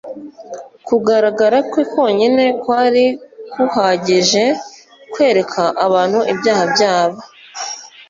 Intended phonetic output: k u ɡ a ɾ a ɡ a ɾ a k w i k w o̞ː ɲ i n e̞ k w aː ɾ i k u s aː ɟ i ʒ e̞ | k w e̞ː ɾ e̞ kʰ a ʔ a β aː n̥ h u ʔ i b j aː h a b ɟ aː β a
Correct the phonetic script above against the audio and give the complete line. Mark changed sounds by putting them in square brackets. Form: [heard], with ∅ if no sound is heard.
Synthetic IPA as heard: k u ɡ a ɾ a ɡ a ɾ a k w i k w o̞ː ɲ i n e̞ k w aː ɾ i k u [h] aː ɟ i ʒ e̞ | k w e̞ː ɾ e̞ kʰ a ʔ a β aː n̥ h u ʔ i b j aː h a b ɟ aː β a